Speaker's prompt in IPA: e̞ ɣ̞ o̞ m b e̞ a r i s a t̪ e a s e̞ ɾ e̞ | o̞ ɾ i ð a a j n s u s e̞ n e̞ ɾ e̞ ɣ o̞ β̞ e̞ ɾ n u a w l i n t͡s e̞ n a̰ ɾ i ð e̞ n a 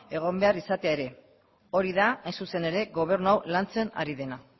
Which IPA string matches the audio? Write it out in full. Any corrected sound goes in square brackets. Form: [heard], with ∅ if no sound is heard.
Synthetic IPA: e̞ ɣ̞ o̞ m b e̞ a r i s a t̪ e a [∅] e̞ ɾ e̞ | o̞ ɾ i ð a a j n s u s e̞ n e̞ ɾ e̞ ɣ o̞ β̞ e̞ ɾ n u a w l [a] n t͡s e̞ n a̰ ɾ i ð e̞ n a